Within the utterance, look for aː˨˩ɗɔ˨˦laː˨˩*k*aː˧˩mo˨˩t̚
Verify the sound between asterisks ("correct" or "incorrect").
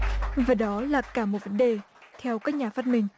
correct